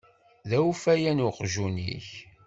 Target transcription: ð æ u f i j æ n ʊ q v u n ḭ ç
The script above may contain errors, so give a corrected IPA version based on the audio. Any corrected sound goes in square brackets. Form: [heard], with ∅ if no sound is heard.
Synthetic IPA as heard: ð æ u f [æ] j æ n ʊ q [ʒ] u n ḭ ç